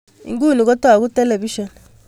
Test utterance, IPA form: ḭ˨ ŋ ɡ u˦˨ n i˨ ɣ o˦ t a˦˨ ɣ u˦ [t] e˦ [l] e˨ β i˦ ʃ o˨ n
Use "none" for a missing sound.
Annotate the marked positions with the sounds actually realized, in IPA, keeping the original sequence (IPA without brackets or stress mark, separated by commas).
t, l